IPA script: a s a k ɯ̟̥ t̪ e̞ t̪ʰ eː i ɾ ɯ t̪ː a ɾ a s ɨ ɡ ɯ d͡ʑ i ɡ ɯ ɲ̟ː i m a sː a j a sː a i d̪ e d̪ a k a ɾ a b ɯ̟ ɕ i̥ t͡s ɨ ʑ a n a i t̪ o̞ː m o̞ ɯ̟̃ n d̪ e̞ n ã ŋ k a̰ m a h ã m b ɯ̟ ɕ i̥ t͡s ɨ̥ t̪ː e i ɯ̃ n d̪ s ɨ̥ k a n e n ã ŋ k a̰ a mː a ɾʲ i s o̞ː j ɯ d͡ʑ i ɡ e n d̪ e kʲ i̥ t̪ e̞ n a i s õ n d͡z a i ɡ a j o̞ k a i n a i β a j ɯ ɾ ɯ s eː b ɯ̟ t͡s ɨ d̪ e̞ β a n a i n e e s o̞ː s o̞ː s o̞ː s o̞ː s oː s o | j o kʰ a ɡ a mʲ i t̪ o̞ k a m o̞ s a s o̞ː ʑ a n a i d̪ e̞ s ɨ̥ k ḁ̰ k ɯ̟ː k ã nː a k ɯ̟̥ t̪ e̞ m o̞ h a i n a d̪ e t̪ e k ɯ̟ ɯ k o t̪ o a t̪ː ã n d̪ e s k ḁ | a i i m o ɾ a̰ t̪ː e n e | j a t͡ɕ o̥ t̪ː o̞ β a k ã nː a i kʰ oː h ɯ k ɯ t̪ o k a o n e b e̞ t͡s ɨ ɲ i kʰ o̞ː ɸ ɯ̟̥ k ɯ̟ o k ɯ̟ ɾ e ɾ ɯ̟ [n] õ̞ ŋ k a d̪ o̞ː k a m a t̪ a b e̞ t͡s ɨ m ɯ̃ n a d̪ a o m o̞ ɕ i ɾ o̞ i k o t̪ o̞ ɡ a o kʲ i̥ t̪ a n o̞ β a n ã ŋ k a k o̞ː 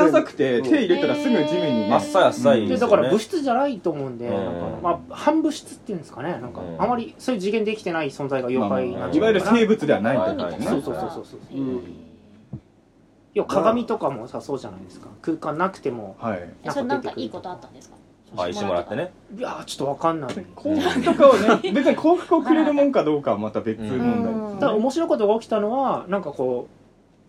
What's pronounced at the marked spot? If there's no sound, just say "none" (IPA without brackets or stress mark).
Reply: m